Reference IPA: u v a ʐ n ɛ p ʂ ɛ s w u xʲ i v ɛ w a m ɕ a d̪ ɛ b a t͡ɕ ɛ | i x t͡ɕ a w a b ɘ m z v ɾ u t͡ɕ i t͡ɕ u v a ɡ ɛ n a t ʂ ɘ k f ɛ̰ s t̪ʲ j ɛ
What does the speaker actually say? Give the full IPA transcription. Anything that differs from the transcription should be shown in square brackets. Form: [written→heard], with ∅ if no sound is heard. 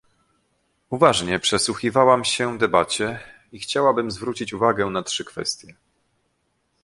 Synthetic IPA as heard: u v a ʐ [n→ɲ] ɛ p ʂ ɛ s w u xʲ i v [ɛ→a] w a m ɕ [a→ɛ] d̪ ɛ b a t͡ɕ ɛ | i x t͡ɕ a w a b ɘ m z v ɾ u t͡ɕ i t͡ɕ u v a ɡ ɛ n a t ʂ ɘ k f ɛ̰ s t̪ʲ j ɛ